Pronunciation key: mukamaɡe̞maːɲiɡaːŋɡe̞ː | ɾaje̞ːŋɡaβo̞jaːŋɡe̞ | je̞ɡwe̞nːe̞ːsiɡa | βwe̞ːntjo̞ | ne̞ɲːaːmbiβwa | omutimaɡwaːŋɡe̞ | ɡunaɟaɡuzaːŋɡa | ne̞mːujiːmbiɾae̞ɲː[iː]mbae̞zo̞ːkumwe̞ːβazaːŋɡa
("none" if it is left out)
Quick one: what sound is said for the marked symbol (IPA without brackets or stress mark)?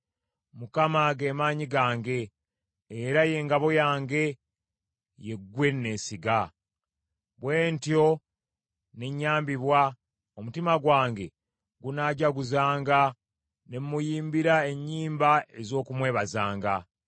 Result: iː